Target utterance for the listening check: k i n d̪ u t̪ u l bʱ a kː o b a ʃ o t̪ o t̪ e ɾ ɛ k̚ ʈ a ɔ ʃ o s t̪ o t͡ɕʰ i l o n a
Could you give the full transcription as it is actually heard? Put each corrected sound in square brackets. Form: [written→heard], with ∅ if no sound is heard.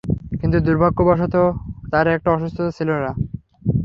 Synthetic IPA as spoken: k i n [d̪→t̪] u [t̪→d̪] u [l→ɾ] bʱ a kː o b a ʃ o t̪ o t̪ [e→a] ɾ ɛ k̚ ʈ a ɔ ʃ [o→u] s [t̪→t̪ʰ] o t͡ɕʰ i l o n a